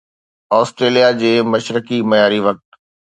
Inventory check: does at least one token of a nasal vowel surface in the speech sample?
no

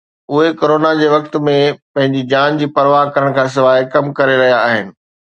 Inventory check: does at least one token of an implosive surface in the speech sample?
no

